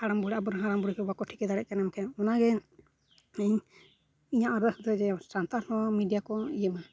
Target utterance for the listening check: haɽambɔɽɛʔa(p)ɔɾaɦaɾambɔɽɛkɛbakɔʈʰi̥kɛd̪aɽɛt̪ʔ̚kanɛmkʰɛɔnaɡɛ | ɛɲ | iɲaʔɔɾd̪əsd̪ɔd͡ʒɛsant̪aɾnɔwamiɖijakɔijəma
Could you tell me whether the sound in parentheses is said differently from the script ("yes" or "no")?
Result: yes